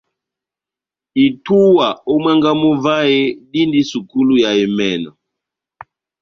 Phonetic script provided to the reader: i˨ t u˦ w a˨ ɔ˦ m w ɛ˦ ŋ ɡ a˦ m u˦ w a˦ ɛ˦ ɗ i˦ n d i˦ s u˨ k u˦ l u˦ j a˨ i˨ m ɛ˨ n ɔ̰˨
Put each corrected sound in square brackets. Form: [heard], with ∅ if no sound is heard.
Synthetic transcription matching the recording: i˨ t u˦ w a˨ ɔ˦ m w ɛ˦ ŋ ɡ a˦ m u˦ [v] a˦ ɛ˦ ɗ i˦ n d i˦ s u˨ k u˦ l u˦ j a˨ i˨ m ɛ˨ n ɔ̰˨